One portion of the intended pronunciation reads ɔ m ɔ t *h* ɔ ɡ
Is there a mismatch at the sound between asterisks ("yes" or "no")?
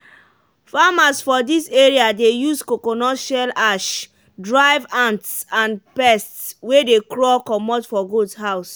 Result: yes